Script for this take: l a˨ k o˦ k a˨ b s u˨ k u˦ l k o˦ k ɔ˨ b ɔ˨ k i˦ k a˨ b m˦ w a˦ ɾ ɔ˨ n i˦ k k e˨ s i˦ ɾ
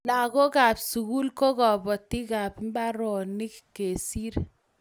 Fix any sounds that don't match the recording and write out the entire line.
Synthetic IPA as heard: l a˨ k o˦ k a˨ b s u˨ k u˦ l k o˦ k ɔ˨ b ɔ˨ t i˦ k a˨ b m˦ b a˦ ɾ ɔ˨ n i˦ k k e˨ s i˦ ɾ